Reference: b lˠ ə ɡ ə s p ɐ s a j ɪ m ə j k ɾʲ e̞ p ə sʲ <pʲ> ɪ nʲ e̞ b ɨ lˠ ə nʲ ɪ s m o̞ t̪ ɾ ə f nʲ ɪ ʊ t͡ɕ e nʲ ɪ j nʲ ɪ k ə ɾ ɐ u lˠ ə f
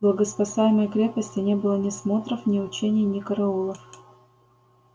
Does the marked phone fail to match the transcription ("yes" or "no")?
yes